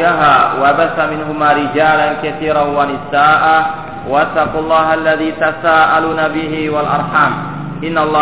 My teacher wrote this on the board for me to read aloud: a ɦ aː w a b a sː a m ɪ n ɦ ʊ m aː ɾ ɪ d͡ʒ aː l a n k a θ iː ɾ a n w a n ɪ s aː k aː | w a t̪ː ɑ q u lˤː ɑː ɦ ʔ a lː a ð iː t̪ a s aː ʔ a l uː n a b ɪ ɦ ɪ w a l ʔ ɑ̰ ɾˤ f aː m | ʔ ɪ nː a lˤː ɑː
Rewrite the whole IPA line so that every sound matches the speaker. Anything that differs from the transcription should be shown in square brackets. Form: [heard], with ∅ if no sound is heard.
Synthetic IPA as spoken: a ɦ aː w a b a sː a m ɪ n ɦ ʊ m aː ɾ ɪ d͡ʒ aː l a n k a θ iː ɾ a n w a n ɪ s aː [ʔ] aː | w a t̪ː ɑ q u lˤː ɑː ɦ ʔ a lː a ð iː t̪ a s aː ʔ a l uː n a b ɪ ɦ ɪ w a l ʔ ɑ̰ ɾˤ [ħ] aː m | ʔ ɪ nː a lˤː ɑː